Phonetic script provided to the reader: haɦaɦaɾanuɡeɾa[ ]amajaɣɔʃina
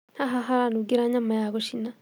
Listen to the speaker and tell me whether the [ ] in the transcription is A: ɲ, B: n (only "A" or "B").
A